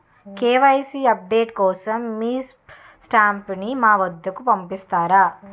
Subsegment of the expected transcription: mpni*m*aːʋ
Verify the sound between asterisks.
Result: correct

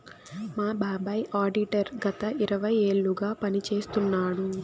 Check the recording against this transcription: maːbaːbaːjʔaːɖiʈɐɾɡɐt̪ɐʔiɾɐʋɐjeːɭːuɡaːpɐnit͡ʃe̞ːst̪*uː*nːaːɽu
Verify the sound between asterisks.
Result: incorrect: u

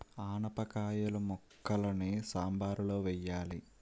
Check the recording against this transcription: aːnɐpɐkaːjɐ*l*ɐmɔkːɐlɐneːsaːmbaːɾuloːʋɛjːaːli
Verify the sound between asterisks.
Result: correct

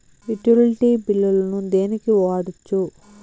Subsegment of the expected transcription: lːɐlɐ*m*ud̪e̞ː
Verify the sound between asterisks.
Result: incorrect: n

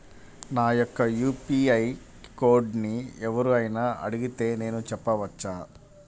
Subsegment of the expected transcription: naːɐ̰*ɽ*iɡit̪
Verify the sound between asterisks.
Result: correct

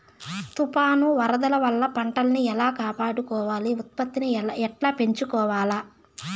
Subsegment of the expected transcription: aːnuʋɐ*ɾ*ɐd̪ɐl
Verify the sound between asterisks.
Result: correct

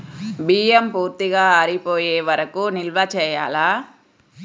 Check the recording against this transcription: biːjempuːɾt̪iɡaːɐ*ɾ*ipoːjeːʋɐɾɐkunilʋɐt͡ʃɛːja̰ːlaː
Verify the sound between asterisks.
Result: correct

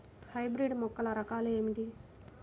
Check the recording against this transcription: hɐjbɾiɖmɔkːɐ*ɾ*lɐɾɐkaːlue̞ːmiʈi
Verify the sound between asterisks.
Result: incorrect: none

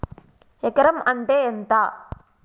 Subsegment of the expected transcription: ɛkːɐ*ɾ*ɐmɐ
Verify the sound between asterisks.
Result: correct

